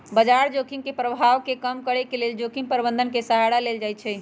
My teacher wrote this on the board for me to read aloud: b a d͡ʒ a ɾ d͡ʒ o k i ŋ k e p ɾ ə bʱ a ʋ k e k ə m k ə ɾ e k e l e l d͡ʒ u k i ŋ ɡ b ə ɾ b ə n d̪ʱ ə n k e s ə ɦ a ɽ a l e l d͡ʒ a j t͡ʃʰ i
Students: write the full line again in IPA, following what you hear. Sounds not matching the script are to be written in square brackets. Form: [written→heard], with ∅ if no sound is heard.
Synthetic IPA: b [a→ə] d͡ʒ a ɾ d͡ʒ o k i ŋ k e p ɾ ə bʱ a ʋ k e k ə m k ə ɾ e k e l e l d͡ʒ [u→o] k i ŋ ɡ [b→p] ə ɾ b ə n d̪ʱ ə n k e s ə ɦ a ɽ a l e l d͡ʒ a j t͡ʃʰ [i→ɛ]